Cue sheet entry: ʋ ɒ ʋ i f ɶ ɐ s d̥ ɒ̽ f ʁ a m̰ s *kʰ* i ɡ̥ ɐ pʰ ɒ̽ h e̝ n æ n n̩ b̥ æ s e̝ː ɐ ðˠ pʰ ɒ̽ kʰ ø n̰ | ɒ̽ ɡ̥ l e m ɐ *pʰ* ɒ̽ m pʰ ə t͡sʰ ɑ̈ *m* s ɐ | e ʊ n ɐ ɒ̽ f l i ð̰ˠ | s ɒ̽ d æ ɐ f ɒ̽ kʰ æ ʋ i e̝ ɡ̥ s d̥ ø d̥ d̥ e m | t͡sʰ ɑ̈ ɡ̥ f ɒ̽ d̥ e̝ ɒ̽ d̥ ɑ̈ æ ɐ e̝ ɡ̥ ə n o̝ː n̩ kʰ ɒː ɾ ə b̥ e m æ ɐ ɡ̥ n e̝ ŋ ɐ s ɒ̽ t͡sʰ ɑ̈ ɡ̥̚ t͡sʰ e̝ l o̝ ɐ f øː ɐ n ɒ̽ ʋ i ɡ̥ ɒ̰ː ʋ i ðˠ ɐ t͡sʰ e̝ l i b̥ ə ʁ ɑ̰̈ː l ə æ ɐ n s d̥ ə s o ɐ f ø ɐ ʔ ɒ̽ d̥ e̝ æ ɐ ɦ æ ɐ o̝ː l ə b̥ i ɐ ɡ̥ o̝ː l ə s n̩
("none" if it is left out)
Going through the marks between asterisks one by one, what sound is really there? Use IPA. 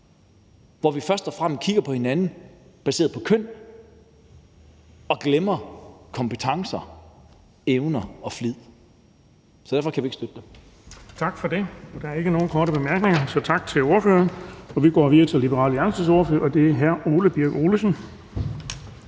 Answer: kʰ, kʰ, ŋ

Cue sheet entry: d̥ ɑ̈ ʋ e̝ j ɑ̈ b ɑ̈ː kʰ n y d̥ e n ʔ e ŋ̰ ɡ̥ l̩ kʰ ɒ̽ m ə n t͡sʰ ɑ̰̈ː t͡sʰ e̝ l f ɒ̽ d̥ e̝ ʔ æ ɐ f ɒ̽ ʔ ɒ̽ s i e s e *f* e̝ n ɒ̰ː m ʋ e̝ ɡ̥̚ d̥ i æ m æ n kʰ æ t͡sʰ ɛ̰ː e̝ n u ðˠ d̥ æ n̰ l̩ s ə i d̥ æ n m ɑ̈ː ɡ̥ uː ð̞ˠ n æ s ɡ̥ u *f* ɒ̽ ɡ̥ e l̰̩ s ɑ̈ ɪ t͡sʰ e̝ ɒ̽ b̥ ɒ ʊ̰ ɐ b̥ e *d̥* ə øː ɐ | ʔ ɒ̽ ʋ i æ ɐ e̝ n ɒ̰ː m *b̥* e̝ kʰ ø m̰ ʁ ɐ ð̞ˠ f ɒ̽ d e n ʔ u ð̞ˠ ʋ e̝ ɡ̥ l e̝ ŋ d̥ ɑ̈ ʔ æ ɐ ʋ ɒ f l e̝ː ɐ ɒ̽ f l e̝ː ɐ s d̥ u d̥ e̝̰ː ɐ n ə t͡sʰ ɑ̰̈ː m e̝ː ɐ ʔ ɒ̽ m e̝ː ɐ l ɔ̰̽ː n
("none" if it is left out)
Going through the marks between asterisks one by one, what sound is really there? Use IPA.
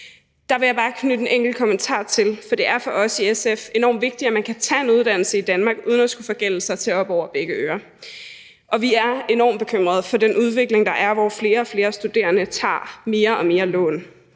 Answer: f, f, ɡ̥, b̥

